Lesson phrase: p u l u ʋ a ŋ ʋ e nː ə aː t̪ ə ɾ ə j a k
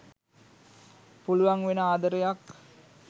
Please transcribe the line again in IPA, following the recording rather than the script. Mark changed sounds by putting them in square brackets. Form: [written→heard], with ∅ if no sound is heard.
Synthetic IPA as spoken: p u l u ʋ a ŋ ʋ e [nː→n] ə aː [t̪→d̪] ə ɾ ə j a k